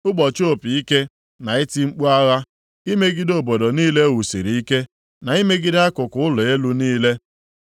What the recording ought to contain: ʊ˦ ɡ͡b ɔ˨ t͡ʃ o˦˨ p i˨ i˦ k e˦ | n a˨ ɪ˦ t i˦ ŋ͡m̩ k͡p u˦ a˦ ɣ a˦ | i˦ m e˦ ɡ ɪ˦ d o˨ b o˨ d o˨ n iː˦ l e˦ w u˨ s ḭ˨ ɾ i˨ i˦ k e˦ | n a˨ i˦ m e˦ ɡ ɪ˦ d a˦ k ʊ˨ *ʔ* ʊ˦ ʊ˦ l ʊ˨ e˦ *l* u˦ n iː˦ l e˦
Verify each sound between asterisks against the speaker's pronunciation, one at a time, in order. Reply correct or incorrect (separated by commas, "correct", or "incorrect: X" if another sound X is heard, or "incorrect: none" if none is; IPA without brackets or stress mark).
incorrect: k, correct